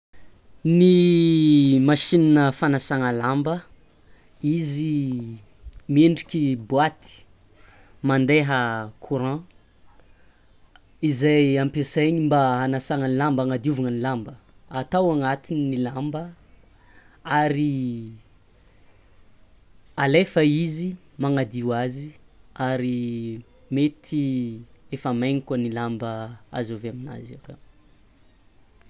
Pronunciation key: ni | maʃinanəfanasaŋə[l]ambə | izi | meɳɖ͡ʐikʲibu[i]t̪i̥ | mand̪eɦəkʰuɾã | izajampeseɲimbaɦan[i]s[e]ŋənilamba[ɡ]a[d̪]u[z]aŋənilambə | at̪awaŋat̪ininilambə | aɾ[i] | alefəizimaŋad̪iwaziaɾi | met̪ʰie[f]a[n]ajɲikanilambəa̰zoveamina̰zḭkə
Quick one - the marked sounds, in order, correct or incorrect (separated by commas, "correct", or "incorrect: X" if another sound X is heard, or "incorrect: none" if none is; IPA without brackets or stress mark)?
correct, incorrect: a, incorrect: a, incorrect: a, incorrect: ŋ, correct, incorrect: v, correct, correct, incorrect: m